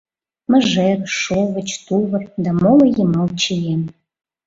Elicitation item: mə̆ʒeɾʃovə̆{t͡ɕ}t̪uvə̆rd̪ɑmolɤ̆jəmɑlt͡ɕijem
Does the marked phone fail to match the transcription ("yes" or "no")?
no